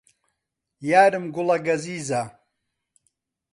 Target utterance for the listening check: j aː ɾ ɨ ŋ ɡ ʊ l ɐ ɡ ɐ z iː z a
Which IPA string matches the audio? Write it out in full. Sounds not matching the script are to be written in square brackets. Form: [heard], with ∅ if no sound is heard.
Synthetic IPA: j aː ɾ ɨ [m] ɡ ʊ l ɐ ɡ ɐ z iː z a